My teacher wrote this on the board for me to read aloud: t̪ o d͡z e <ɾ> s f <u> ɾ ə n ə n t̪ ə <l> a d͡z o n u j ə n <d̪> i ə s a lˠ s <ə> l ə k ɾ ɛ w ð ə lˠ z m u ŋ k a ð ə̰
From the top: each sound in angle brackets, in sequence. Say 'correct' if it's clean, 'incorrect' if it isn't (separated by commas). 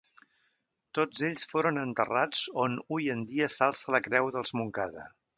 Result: incorrect, incorrect, incorrect, correct, correct